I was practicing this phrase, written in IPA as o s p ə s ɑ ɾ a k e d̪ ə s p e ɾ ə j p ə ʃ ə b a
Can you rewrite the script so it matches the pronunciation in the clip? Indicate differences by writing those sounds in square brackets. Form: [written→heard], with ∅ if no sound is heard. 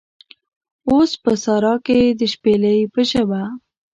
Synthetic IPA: o s p ə s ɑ ɾ [a→ɑ] k e d̪ ə [s→ʃ] p e [ɾ→l] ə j p ə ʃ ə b a